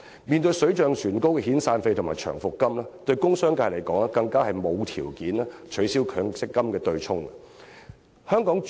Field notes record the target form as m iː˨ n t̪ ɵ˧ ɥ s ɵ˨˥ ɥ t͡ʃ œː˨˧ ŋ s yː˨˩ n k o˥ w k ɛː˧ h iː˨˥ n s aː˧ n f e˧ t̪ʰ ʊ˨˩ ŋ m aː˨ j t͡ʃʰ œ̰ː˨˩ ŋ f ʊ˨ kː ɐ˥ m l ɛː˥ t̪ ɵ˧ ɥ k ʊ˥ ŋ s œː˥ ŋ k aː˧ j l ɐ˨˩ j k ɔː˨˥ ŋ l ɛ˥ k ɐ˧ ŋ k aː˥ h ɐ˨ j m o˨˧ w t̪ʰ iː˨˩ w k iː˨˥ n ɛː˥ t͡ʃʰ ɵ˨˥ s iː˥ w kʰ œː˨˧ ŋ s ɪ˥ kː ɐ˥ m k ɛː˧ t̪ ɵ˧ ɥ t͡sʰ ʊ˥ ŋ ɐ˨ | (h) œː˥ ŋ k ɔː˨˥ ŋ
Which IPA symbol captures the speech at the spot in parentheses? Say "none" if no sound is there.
h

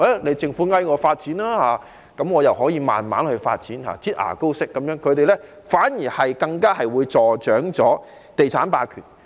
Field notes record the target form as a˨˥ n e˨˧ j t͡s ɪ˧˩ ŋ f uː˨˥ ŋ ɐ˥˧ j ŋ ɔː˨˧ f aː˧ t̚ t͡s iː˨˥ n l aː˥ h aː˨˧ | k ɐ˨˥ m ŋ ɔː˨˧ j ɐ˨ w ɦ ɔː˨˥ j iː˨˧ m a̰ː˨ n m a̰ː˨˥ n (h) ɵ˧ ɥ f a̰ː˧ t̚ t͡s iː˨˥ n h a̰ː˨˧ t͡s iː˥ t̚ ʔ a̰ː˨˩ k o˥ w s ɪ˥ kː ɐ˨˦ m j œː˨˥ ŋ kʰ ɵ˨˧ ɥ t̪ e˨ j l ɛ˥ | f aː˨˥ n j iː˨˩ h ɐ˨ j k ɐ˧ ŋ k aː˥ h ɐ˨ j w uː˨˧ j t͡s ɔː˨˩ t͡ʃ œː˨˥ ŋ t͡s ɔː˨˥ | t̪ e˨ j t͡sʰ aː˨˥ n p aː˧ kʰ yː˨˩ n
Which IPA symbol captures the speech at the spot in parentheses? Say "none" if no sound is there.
h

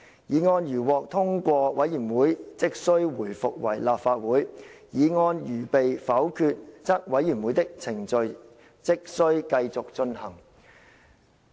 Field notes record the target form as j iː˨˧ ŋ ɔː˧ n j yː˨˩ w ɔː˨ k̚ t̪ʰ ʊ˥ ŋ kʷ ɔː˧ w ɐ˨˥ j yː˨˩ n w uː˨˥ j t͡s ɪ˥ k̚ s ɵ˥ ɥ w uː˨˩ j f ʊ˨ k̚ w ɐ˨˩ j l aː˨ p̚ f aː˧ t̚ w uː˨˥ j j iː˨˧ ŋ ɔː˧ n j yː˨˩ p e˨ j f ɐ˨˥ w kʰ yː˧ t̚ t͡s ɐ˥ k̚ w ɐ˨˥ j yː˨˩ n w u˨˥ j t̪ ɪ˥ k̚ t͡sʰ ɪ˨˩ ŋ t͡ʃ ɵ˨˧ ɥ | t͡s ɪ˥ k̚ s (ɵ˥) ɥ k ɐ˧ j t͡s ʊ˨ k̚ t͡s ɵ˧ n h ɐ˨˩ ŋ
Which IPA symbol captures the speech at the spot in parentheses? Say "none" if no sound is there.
ɵ˥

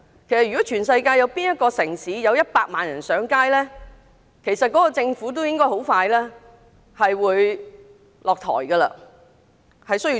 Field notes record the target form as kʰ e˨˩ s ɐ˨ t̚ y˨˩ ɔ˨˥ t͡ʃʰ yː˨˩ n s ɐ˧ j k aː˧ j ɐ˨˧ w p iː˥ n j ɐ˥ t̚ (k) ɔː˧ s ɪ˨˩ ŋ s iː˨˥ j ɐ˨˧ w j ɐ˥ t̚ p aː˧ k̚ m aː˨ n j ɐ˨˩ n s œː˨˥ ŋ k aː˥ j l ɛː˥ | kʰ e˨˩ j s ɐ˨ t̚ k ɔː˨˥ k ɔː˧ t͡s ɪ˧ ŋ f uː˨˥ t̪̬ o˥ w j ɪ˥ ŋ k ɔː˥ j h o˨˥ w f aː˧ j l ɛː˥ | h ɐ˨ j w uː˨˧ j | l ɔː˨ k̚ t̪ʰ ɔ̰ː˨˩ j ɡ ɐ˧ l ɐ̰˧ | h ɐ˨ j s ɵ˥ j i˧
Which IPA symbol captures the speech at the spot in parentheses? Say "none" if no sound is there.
k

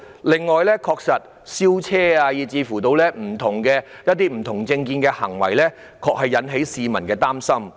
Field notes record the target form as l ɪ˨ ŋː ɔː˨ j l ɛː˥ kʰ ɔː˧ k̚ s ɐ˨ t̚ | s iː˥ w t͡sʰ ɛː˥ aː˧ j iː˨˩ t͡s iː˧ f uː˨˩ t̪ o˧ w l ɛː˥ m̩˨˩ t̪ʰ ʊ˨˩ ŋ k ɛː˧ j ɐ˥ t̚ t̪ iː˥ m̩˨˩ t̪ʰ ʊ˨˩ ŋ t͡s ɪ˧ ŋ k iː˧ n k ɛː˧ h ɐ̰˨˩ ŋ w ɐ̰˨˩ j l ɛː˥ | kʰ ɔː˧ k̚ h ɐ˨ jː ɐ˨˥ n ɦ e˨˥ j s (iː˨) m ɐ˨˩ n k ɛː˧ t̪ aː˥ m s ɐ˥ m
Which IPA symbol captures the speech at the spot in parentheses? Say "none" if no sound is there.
iː˨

